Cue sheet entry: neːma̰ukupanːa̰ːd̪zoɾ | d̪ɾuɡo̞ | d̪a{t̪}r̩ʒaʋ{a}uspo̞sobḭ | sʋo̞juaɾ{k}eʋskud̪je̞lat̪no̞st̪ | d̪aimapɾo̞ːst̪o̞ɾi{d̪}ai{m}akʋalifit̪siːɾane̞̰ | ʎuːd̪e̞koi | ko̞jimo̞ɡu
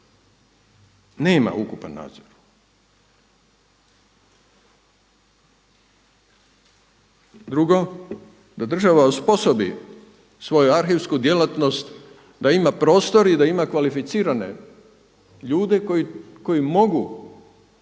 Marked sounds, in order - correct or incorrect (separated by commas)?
incorrect, correct, incorrect, correct, correct